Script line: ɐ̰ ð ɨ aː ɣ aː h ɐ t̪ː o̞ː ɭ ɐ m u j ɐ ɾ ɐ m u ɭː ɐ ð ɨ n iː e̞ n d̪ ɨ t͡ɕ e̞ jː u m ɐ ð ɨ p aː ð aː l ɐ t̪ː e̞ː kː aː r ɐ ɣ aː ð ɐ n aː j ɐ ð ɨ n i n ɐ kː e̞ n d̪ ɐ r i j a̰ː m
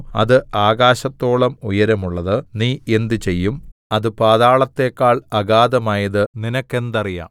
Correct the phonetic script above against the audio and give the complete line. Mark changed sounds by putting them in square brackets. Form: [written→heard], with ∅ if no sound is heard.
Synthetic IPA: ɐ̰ ð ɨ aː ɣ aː [h→ɕ] ɐ t̪ː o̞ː ɭ ɐ m u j ɐ ɾ ɐ m u ɭː ɐ ð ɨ n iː e̞ n d̪ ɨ t͡ɕ e̞ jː u m ɐ ð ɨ p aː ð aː [l→ɭ] ɐ t̪ː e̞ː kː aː [r→ɭ] ɐ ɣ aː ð ɐ [n→m] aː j ɐ ð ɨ n i n ɐ kː e̞ n d̪ ɐ r i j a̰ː m